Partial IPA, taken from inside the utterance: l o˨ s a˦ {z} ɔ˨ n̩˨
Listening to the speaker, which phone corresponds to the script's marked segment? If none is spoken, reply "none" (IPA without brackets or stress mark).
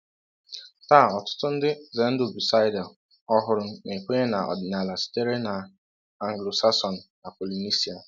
s